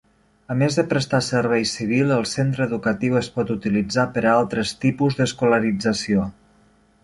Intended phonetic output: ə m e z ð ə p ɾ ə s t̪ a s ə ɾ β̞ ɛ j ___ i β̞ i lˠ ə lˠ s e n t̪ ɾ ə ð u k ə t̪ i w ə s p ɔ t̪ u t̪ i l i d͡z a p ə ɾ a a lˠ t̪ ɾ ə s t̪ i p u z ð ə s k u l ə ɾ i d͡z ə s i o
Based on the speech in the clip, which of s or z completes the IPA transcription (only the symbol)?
s